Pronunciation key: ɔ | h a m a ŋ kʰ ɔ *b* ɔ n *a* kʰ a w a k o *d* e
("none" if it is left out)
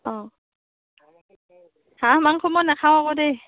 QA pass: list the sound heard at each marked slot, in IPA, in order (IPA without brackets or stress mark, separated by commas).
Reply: m, a, d